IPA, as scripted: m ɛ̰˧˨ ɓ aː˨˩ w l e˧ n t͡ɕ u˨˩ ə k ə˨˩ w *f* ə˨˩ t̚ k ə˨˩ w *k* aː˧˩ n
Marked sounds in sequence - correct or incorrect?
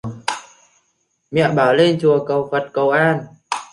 correct, incorrect

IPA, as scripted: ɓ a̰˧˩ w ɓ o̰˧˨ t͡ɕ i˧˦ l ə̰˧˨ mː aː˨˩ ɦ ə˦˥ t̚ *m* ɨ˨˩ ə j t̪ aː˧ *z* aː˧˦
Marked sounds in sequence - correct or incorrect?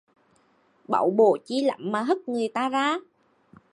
incorrect, correct

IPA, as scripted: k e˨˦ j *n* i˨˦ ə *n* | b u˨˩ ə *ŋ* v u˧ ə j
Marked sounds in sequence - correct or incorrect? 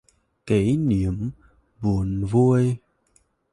correct, incorrect, incorrect

